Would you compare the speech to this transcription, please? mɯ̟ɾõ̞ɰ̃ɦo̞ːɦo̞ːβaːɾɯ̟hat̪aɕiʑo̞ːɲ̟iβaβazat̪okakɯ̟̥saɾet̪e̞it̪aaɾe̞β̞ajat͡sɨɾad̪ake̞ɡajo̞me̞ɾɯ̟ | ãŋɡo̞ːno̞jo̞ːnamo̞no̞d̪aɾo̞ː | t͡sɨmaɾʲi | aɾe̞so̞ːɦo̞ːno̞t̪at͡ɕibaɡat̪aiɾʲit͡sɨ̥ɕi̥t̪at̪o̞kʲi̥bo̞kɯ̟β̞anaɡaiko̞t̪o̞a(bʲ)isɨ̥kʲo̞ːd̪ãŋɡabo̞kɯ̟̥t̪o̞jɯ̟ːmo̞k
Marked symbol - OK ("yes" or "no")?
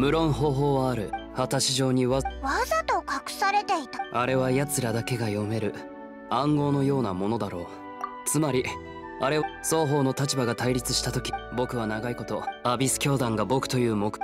yes